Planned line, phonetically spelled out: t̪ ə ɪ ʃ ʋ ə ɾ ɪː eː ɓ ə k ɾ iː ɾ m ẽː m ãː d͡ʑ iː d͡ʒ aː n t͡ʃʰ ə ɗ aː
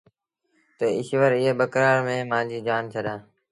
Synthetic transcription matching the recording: t̪ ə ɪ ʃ ʋ ə ɾ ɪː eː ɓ ə k ɾ aː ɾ m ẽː m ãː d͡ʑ iː d͡ʒ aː n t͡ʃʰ ə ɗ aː